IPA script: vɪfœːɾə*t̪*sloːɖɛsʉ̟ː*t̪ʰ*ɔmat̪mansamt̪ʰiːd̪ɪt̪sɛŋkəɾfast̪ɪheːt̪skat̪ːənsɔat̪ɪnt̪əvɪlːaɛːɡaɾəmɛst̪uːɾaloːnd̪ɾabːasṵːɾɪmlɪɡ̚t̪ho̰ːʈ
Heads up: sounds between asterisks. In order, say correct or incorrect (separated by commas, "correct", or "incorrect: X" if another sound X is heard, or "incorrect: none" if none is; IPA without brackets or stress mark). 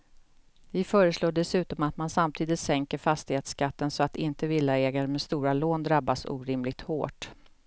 incorrect: none, incorrect: t̪